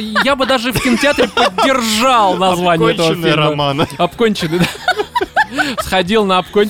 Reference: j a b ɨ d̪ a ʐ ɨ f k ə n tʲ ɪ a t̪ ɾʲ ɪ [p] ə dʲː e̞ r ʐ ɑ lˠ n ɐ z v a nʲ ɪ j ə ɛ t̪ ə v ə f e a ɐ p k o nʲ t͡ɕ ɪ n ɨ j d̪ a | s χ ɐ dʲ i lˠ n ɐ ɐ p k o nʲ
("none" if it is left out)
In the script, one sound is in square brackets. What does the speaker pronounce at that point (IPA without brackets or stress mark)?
p